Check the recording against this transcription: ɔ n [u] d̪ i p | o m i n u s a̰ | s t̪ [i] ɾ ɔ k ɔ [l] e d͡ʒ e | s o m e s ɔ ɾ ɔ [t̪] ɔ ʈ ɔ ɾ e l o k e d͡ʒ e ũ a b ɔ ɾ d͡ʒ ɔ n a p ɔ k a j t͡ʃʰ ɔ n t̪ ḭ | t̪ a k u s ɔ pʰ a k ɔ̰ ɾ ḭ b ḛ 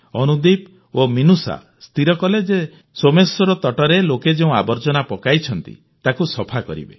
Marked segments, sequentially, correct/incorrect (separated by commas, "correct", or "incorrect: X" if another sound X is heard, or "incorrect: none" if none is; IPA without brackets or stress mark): correct, correct, correct, correct